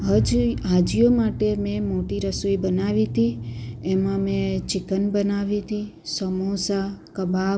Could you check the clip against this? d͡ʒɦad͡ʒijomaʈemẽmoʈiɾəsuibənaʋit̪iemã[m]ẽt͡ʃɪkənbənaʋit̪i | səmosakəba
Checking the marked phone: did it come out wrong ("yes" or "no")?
no